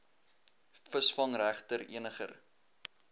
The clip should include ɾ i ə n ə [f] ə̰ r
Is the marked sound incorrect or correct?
incorrect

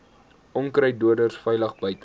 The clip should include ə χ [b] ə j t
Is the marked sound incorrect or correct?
correct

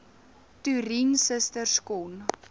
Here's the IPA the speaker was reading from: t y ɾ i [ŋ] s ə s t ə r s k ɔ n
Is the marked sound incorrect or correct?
incorrect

